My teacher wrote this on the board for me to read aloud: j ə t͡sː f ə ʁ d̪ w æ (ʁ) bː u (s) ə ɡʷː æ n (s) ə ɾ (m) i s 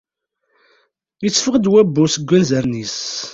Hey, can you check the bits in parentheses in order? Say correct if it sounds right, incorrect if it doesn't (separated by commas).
incorrect, correct, incorrect, incorrect